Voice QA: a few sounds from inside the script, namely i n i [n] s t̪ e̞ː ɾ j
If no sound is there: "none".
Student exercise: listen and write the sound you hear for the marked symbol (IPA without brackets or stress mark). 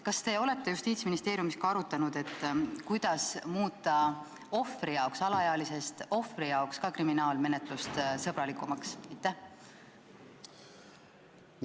none